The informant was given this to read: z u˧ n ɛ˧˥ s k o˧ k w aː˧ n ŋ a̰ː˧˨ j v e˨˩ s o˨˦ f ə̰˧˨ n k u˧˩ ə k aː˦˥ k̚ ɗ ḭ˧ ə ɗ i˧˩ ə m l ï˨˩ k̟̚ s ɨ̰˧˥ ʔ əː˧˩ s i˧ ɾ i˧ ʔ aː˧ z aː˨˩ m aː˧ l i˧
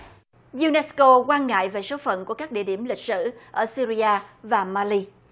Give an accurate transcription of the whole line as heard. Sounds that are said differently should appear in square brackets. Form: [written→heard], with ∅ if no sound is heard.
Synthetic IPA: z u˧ n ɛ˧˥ s k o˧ k w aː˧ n ŋ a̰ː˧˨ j v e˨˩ s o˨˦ f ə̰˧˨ n k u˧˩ ə k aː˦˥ k̚ ɗ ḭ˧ ə ɗ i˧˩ ə m l ï˨˩ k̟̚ s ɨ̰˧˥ ʔ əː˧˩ s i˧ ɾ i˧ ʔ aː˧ [z→v] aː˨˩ m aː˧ l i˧

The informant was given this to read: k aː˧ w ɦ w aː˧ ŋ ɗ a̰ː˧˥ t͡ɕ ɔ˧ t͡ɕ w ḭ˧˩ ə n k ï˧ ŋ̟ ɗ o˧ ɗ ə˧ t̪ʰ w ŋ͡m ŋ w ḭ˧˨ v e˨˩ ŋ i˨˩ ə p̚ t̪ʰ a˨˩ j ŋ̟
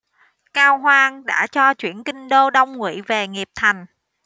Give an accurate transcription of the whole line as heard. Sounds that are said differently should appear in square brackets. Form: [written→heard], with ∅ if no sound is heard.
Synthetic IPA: k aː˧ w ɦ w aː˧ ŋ ɗ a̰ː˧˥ t͡ɕ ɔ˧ t͡ɕ w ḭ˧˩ ə n k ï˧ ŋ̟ ɗ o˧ ɗ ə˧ [t̪ʰ→∅] w ŋ͡m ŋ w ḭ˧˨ v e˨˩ ŋ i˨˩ ə p̚ t̪ʰ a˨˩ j ŋ̟

